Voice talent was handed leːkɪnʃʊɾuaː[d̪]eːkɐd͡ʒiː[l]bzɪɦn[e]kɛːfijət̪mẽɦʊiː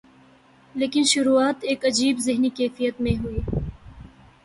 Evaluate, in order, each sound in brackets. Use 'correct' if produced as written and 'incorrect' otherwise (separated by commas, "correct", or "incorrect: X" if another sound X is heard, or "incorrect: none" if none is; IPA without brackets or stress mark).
incorrect: t̪, incorrect: none, incorrect: i